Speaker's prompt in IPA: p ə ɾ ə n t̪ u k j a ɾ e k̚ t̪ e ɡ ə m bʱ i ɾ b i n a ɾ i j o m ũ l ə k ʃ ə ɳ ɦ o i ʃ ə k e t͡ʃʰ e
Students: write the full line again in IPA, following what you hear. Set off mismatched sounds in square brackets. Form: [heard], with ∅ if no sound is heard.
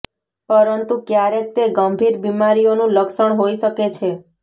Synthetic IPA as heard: p ə ɾ ə n t̪ u k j a ɾ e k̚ t̪ e ɡ ə m bʱ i ɾ b i [m] a ɾ i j o [n] ũ l ə k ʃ ə ɳ ɦ o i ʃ ə k e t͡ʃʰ e